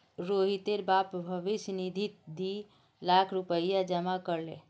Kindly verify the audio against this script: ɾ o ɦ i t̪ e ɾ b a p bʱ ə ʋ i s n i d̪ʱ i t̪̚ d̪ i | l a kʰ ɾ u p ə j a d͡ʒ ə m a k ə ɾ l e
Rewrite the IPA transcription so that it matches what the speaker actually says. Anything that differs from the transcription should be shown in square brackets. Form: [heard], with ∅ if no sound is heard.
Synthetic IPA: ɾ o ɦ i t̪ e ɾ b a p bʱ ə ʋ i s n i d̪ʱ i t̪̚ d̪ i | l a kʰ ɾ u p ə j a d͡ʒ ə m a k ə ɾ l e